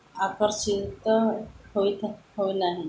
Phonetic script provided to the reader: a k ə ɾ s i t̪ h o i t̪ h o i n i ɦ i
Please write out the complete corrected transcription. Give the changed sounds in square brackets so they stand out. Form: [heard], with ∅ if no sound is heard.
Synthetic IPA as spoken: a k ə ɾ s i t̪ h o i t̪ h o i n [a] ɦ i